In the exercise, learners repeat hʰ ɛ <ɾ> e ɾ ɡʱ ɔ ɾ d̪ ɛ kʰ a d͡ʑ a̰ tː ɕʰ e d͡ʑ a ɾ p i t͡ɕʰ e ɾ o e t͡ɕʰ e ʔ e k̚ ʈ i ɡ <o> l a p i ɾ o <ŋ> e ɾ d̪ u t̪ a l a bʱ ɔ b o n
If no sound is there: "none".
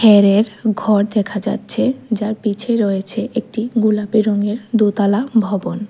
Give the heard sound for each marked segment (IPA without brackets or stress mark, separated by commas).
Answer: ɾ, u, ŋ